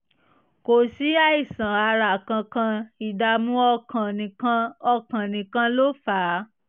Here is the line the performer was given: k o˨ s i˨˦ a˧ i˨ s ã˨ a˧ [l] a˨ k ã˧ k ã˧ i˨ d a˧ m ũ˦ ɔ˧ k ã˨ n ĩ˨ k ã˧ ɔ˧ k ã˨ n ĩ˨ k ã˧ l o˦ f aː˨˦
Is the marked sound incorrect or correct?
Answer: incorrect